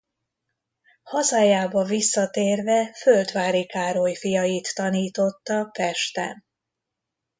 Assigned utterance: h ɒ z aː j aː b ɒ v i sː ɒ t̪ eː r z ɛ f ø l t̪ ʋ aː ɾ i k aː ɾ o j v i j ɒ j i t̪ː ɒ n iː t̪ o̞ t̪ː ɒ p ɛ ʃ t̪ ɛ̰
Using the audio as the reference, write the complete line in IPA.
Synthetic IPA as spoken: h ɒ z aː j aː b ɒ v i sː ɒ t̪ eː r v ɛ f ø l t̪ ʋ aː ɾ i k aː ɾ o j f i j ɒ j i t̪ː ɒ n iː t̪ o̞ t̪ː ɒ p ɛ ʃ t̪ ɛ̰